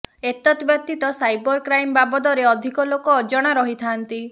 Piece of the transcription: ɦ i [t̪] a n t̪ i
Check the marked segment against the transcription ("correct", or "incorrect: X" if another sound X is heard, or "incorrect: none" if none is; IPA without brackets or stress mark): incorrect: t̪ʰ